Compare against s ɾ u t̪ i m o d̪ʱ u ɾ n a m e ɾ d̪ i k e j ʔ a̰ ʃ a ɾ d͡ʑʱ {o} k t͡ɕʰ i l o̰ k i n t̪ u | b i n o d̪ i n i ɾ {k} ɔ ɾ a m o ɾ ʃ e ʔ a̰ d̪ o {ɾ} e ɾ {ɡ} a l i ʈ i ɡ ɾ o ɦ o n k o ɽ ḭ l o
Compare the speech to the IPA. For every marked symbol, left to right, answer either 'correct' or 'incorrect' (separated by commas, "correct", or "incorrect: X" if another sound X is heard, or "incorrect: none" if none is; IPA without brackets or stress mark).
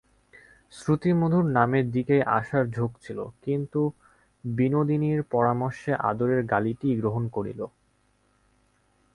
correct, incorrect: p, correct, correct